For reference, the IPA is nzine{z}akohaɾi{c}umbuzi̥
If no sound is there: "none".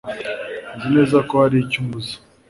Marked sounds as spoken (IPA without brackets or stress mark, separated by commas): z, c